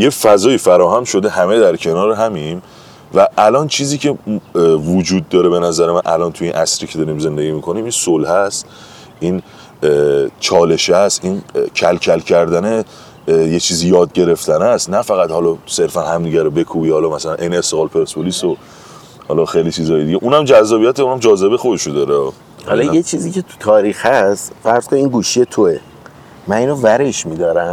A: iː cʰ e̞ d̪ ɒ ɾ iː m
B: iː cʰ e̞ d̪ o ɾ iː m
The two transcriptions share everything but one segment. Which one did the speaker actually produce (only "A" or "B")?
A